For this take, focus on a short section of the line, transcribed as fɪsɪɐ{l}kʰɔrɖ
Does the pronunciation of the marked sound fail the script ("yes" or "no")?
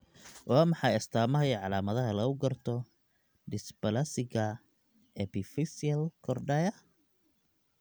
no